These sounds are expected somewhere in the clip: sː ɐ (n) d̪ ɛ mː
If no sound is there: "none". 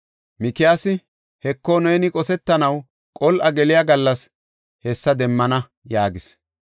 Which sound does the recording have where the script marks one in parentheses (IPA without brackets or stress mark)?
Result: none